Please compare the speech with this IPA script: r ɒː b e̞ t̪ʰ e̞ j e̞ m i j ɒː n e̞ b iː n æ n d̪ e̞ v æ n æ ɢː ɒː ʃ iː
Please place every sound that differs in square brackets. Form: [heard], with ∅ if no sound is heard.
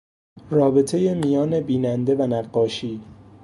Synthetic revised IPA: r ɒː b e̞ t̪ʰ e̞ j e̞ m i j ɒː n e̞ b iː n æ n d̪ e̞ v æ n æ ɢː ɒː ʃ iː